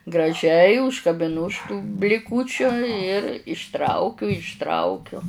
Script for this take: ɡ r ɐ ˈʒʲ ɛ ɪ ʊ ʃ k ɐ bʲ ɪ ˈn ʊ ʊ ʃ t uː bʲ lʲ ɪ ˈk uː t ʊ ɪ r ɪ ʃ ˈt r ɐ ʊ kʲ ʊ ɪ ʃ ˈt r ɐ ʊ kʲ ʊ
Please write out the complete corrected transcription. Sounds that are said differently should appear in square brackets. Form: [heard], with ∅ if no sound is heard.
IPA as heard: ɡ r ɐ ˈʒʲ ɛ ɪ ʊ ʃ k ɐ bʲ ɪ ˈn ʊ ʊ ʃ t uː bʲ lʲ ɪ ˈk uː [t͡ʃʲ] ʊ ɪ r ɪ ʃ ˈt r ɐ ʊ kʲ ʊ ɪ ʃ ˈt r ɐ ʊ kʲ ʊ